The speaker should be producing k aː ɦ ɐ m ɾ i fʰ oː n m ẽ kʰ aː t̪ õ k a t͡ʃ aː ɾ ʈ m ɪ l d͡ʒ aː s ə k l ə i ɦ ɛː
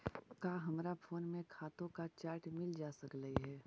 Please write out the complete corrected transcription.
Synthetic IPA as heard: k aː ɦ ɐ m ɾ a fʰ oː n m ẽ kʰ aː t̪ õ k a t͡ʃ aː ɾ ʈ m ɪ l d͡ʒ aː s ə k l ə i ɦ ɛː